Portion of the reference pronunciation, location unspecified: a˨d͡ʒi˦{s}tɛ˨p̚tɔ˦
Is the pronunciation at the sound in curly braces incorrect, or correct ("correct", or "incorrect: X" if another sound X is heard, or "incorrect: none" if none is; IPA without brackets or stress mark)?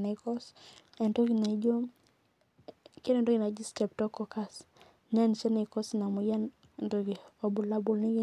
correct